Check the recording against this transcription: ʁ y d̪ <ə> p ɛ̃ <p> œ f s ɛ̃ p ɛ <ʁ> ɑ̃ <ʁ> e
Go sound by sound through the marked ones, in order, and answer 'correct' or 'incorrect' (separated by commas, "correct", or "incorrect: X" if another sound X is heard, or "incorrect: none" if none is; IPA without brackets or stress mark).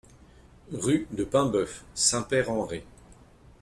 correct, incorrect: b, correct, correct